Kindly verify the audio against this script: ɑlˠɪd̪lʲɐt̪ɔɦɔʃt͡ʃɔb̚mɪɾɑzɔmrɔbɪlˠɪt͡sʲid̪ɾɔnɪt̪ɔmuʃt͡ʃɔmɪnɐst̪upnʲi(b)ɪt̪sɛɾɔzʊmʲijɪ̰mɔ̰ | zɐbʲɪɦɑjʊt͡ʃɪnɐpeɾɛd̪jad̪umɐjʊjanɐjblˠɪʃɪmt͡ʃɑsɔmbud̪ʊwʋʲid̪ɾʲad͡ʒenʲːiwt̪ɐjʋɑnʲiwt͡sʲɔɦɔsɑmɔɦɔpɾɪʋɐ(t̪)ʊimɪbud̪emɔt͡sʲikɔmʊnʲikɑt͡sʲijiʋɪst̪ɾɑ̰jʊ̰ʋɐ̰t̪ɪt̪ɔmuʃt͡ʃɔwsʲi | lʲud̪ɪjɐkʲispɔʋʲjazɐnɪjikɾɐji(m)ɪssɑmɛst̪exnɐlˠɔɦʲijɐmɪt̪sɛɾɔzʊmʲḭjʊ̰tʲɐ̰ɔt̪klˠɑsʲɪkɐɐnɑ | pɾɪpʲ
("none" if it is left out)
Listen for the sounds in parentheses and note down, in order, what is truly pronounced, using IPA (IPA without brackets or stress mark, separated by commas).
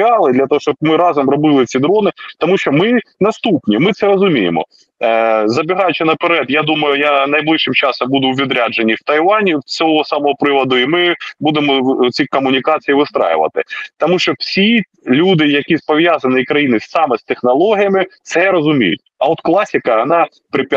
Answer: m, d̪, n